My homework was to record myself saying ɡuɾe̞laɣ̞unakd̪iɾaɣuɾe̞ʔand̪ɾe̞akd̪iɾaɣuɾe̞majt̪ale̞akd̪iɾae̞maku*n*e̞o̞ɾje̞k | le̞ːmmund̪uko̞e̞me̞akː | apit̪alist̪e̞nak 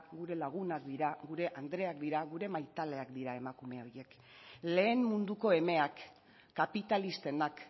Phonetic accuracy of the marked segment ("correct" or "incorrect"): incorrect